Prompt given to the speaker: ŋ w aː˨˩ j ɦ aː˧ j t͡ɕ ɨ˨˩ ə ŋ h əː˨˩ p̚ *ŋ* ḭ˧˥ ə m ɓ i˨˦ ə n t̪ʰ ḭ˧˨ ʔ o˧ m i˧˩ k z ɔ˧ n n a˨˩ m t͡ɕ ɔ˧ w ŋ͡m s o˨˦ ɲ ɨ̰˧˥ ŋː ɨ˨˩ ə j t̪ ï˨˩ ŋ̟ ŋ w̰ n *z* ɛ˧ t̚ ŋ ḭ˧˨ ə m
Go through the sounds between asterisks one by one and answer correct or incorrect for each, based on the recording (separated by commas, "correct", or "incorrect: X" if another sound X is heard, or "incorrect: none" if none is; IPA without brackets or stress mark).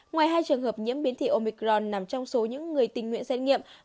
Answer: incorrect: ɲ, incorrect: s